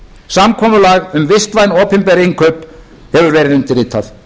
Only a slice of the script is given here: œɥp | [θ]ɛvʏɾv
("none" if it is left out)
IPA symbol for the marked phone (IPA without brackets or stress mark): h